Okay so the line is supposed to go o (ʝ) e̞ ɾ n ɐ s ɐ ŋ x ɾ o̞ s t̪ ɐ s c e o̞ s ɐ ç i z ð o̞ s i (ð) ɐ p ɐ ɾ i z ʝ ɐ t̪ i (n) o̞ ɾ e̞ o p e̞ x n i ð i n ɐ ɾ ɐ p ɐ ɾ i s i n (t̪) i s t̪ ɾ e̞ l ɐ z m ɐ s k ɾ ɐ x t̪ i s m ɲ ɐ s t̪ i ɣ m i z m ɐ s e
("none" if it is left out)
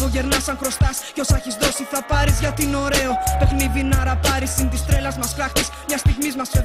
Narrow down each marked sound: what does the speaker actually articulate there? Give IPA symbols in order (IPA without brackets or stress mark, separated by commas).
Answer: ʝ, θ, n, t̪